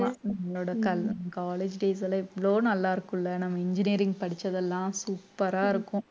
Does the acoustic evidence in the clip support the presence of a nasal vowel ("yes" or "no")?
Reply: yes